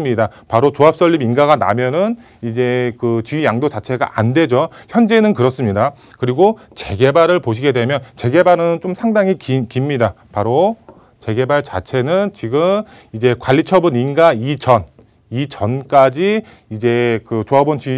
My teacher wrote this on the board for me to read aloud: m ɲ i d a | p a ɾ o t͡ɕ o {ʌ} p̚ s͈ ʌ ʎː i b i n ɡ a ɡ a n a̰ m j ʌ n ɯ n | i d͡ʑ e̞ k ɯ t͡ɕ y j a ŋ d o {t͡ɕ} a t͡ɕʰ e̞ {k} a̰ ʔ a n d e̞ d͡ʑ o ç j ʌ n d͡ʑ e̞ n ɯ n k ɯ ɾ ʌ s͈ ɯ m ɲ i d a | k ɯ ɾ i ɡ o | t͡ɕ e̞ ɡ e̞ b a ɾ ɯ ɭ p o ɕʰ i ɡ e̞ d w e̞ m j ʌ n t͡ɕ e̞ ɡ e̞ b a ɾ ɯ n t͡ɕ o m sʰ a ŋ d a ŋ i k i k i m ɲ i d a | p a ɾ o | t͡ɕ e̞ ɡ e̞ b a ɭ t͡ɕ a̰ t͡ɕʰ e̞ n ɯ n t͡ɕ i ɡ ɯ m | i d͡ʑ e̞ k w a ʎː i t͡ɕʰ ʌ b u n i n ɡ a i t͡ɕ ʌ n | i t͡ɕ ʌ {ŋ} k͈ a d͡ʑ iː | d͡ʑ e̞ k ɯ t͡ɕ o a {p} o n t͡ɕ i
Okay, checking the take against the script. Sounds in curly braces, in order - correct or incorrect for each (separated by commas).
incorrect, correct, incorrect, incorrect, incorrect